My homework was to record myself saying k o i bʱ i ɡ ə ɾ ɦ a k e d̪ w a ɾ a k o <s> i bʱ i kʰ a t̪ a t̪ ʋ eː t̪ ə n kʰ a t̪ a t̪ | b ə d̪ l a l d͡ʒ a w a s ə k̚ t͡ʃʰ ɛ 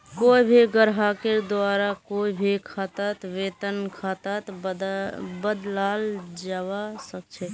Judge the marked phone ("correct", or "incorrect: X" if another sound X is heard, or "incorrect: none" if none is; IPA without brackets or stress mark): incorrect: none